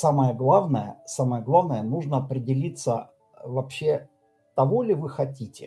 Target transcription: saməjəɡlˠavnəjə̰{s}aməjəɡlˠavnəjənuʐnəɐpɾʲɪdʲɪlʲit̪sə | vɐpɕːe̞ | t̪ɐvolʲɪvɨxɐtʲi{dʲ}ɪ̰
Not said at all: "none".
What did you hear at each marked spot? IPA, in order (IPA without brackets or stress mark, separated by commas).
s, tʲ